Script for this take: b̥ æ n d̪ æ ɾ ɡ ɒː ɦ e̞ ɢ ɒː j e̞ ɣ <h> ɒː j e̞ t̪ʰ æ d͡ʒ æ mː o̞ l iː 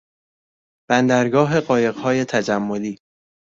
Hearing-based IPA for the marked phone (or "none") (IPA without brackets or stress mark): h